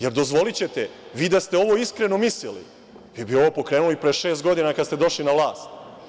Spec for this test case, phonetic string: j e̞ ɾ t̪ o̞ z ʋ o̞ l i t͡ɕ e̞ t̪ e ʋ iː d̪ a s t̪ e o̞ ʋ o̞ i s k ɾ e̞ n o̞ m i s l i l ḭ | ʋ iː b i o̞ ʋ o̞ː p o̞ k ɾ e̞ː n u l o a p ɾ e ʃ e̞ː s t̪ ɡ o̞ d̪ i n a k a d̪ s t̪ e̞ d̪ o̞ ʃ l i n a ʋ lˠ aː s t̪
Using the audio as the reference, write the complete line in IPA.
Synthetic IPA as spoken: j e̞ ɾ d̪ o̞ z ʋ o̞ l i t͡ɕ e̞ t̪ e ʋ iː d̪ a s t̪ e o̞ ʋ o̞ i s k ɾ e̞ n o̞ m i s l i l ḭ | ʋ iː b i o̞ ʋ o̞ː p o̞ k ɾ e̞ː n u l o i p ɾ e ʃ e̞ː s t̪ ɡ o̞ d̪ i n a k a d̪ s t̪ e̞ d̪ o̞ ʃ l i n a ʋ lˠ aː s t̪